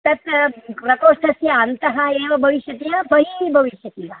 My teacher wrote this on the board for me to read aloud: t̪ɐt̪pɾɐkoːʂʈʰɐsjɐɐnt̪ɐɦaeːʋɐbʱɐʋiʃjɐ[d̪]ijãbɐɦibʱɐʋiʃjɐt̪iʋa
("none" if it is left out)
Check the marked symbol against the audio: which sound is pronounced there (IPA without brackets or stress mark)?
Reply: t̪